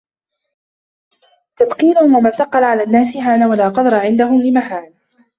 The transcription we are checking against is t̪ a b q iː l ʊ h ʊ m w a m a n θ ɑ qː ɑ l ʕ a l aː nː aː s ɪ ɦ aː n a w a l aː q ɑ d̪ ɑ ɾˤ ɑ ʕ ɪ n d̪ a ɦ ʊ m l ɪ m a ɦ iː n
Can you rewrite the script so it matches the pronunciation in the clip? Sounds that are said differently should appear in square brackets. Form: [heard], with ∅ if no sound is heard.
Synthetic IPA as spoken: t̪ a b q iː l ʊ h ʊ m w a m a n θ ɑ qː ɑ l ʕ a l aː nː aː s ɪ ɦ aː n a w a l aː q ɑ d̪ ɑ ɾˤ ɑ ʕ ɪ n d̪ a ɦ ʊ m l ɪ m a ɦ [aː] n